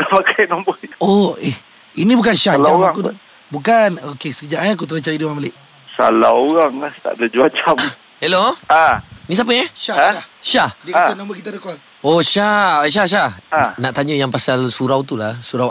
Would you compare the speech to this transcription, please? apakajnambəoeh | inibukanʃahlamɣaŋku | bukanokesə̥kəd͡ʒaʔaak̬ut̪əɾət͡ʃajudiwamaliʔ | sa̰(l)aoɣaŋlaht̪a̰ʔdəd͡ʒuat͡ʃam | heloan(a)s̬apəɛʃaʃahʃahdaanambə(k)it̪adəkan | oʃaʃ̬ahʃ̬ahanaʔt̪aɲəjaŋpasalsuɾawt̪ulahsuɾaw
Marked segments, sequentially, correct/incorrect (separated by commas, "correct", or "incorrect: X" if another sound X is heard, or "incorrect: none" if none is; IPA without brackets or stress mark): correct, incorrect: i, correct